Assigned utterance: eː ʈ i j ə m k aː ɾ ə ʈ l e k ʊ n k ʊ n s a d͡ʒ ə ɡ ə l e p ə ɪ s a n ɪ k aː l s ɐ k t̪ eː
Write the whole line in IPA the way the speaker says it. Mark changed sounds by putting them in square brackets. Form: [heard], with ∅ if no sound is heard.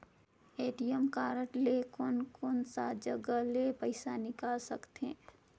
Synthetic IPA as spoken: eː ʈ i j ə m k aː ɾ ə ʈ l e k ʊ n k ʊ n s a d͡ʒ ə ɡ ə l e p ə ɪ s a n ɪ k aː l s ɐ k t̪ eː